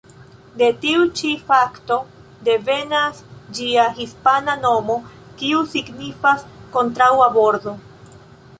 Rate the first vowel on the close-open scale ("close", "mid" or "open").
mid